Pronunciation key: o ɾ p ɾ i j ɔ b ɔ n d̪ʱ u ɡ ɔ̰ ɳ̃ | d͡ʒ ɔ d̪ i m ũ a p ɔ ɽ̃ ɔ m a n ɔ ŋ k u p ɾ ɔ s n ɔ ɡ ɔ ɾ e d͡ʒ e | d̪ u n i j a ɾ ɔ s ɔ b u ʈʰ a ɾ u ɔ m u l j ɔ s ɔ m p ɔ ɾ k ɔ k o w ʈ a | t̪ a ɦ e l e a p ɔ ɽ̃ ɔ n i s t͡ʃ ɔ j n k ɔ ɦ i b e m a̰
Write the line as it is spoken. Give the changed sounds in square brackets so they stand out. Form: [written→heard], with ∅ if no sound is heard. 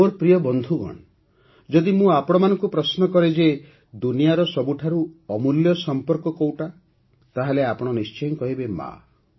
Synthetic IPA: o ɾ p ɾ i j ɔ b ɔ n d̪ʱ u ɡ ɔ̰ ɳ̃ | d͡ʒ ɔ d̪ i m ũ a p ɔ ɽ̃ ɔ m a n ɔ ŋ k u p ɾ ɔ s n ɔ [ɡ→k] ɔ ɾ e d͡ʒ e | d̪ u n i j a ɾ ɔ s ɔ b u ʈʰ a ɾ u ɔ m u l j ɔ s ɔ m p ɔ ɾ k ɔ k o w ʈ a | t̪ a ɦ e l e a p ɔ ɽ̃ ɔ n i s t͡ʃ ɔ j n k ɔ ɦ i b e m a̰